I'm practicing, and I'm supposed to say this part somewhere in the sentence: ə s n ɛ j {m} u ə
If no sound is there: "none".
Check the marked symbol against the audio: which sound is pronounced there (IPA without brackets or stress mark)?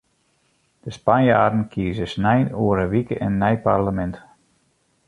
n